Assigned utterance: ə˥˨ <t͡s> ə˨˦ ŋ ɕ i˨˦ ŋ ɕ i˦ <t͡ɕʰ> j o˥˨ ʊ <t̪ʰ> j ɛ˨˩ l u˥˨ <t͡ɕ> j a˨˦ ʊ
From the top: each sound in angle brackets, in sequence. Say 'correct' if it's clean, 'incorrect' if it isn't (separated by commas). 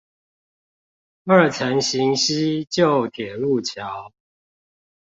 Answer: incorrect, incorrect, correct, incorrect